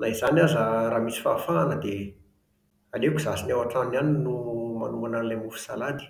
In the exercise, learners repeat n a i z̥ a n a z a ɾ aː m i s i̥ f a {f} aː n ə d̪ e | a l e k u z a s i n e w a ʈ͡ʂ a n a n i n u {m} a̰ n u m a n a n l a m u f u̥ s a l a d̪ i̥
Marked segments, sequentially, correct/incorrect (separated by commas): correct, correct